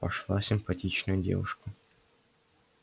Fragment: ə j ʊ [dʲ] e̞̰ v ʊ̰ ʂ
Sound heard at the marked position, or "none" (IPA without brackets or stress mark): dʲ